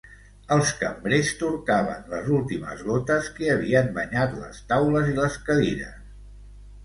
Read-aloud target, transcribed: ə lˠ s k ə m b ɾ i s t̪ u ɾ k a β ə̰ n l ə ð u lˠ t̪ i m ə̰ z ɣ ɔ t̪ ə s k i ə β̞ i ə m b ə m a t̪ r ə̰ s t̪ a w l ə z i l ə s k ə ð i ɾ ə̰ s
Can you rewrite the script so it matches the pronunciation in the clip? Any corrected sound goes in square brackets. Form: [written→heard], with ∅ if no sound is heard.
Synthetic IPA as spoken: ə lˠ s k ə m b ɾ [i→e] s t̪ u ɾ k a β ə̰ n l ə [ð→z] u lˠ t̪ i m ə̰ z ɣ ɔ t̪ ə s k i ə β̞ i ə m b ə [m→ɲ] a t̪ [r→l] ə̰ s t̪ a w l ə z i l ə s k ə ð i ɾ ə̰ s